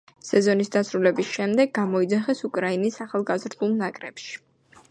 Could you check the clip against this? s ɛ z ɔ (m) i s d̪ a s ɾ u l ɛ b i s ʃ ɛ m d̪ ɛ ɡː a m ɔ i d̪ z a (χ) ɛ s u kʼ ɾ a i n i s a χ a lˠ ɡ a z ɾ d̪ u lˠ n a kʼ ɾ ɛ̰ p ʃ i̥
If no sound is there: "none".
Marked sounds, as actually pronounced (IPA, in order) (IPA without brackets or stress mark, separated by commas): n, χ